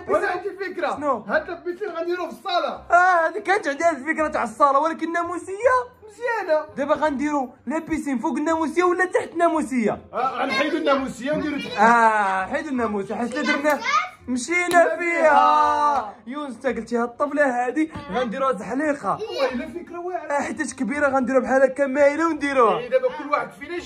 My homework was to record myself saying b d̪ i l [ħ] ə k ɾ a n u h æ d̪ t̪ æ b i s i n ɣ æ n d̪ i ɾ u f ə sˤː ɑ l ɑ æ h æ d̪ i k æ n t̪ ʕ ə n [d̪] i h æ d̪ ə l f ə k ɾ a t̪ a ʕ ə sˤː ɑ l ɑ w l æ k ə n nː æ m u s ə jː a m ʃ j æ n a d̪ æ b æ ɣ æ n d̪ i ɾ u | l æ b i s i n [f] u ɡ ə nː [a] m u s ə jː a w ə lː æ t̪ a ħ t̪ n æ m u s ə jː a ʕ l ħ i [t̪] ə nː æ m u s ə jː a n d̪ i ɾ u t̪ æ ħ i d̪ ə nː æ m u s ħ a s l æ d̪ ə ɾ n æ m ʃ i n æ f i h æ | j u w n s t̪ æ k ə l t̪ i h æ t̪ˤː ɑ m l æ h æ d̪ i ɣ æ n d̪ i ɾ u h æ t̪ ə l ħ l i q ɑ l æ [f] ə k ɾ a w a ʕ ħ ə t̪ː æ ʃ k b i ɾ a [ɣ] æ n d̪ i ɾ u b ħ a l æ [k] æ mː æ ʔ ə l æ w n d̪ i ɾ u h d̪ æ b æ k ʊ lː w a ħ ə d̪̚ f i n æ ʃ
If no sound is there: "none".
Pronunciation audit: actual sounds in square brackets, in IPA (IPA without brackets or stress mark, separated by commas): f, d̪, f, æ, d̪, f, ɣ, k